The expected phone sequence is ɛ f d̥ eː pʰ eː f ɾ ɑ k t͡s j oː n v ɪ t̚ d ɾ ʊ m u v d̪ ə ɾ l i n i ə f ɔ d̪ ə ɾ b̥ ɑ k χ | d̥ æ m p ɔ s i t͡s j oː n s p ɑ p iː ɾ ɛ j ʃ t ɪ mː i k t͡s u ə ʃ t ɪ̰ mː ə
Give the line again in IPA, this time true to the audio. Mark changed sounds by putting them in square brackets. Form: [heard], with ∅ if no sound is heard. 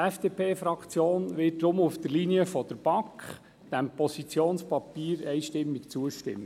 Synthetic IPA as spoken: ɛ f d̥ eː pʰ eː f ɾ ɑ k t͡s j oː n [ʋ] ɪ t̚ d ɾ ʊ m u [f] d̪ ə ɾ l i n i ə f ɔ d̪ ə ɾ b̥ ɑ k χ | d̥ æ m p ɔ s i t͡s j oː n s p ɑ p iː ɾ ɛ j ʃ t ɪ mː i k t͡s u ə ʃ t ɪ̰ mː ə